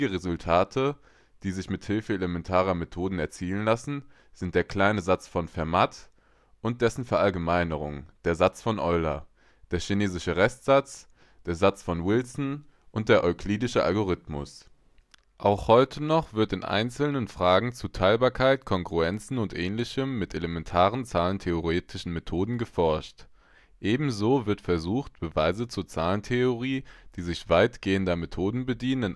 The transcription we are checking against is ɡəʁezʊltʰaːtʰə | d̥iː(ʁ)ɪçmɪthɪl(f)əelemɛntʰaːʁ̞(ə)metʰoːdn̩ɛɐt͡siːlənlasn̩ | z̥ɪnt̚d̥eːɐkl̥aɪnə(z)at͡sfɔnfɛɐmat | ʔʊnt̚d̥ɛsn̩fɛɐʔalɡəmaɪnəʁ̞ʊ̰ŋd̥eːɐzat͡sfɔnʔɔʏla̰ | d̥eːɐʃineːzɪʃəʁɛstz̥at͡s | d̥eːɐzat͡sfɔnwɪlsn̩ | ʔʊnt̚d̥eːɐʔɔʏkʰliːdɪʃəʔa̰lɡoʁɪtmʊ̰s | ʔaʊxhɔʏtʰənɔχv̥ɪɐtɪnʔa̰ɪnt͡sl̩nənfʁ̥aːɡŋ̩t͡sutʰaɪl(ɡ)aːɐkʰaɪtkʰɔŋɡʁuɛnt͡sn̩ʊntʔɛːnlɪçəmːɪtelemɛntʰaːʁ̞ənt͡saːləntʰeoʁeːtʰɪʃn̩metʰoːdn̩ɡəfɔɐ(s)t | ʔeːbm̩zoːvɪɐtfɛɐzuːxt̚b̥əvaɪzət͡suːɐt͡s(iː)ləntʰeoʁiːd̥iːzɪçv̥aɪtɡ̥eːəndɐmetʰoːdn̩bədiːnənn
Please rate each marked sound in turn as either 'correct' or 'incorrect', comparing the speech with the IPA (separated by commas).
incorrect, correct, incorrect, correct, incorrect, incorrect, incorrect